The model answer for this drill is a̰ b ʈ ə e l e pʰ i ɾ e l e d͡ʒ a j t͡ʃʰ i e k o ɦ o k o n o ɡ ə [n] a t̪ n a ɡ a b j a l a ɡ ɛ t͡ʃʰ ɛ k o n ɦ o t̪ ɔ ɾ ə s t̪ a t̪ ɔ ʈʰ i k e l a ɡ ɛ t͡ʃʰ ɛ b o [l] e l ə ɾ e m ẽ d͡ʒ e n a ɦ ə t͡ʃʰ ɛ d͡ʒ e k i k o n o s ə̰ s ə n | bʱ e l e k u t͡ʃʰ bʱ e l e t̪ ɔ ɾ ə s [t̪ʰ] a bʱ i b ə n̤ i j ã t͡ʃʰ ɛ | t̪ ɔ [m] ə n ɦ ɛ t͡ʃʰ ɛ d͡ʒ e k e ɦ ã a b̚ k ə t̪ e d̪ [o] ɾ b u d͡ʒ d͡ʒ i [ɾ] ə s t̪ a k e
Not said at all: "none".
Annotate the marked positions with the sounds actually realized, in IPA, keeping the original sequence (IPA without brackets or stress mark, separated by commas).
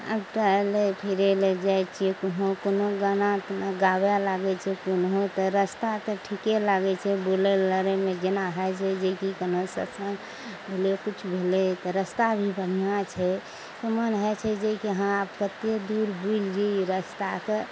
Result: n, l, t̪, m, u, ɾ